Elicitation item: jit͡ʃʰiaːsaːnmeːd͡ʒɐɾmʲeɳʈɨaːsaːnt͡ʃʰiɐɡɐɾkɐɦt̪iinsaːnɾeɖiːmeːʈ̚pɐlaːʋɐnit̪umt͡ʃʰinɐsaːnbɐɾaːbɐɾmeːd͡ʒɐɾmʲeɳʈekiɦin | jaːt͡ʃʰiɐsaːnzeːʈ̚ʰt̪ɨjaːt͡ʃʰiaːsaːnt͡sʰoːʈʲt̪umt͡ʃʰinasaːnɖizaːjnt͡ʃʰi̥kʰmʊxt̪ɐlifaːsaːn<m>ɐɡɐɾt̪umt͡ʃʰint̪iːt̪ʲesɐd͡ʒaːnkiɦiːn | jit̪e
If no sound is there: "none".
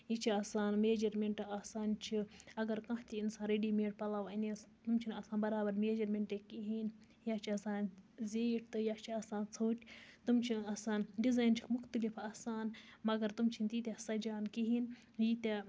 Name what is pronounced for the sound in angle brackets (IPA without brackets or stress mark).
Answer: m